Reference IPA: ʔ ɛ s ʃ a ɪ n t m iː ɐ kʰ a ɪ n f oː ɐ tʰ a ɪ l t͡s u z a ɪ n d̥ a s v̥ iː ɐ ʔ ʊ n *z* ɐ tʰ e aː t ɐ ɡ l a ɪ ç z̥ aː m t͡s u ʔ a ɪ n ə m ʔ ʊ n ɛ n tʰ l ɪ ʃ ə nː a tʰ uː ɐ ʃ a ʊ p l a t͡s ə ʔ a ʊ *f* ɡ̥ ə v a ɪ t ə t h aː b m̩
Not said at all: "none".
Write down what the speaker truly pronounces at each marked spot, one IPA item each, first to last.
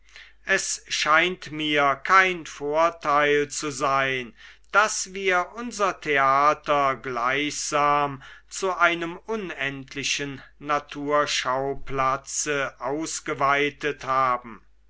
z, s

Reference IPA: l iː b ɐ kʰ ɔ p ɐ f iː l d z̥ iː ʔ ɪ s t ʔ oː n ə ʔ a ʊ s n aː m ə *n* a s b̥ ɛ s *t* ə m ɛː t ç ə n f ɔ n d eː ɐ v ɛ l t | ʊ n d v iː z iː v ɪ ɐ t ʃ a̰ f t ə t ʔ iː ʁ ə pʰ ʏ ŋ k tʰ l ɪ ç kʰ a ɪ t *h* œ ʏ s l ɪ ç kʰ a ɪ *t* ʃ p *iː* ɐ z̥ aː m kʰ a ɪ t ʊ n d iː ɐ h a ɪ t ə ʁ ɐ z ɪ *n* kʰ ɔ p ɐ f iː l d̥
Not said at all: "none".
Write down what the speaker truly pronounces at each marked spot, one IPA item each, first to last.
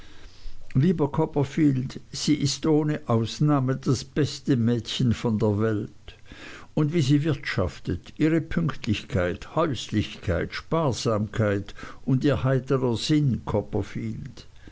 d, t, h, t, aː, n

